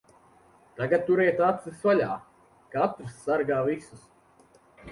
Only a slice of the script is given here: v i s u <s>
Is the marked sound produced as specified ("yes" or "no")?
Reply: yes